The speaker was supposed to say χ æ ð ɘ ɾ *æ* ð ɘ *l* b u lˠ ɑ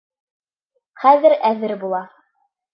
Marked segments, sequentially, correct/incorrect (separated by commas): correct, incorrect